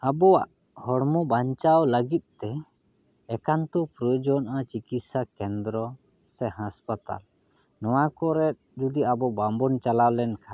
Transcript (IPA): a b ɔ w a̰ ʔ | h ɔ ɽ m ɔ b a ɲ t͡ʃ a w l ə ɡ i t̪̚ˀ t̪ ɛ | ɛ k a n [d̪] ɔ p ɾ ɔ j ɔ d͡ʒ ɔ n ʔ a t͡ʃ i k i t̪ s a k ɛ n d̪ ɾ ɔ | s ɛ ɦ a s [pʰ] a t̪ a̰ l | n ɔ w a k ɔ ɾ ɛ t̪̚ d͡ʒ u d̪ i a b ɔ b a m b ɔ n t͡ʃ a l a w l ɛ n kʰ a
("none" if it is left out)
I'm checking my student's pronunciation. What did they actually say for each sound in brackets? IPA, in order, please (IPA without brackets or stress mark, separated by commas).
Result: t̪, p